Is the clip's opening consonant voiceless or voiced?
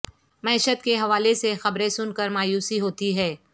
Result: voiced